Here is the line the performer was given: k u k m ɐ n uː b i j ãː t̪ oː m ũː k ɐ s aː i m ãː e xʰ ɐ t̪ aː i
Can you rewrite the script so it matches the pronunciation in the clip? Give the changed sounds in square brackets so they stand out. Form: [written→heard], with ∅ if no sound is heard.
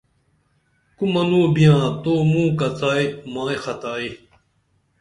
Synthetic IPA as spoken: k u [k→∅] m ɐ n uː b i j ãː t̪ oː m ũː k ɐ [s→t͡s] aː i m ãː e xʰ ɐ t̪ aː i